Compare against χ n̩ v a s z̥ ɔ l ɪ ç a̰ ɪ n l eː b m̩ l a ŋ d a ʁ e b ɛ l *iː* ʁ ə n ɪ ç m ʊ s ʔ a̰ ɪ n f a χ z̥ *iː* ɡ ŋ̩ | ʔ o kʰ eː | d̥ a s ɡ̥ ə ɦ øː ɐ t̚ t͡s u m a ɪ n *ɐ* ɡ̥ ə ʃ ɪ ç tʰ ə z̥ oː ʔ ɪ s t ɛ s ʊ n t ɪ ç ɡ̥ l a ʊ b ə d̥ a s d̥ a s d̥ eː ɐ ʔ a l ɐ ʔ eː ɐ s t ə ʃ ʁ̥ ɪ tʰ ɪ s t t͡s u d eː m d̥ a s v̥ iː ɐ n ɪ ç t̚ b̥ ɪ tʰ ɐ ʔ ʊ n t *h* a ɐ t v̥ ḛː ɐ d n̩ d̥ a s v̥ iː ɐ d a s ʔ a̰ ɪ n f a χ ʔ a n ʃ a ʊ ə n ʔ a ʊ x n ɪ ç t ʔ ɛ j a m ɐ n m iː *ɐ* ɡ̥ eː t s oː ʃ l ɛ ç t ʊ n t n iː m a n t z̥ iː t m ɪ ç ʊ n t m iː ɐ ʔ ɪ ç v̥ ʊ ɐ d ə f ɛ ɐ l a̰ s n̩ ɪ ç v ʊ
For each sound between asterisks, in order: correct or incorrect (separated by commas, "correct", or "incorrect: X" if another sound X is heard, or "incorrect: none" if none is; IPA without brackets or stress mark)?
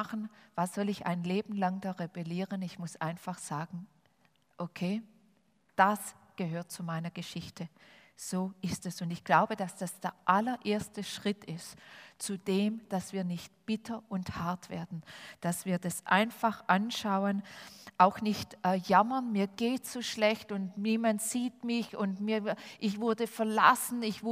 correct, incorrect: aː, correct, correct, correct